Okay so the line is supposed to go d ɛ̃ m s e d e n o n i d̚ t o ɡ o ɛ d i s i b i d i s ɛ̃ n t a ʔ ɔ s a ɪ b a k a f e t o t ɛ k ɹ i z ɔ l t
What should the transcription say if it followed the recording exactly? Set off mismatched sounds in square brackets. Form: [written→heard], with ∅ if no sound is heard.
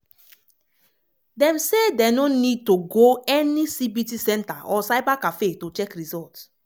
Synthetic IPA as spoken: d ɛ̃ m s e d e n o n i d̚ t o ɡ o ɛ [d→n] i s i b i [d→t] i s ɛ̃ n t a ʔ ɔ s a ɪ b a k a f e t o [t→t͡ʃ] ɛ k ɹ i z ɔ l t